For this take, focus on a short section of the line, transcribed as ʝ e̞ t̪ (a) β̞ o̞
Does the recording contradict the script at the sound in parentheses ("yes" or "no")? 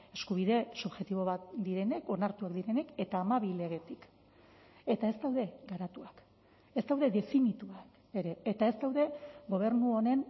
yes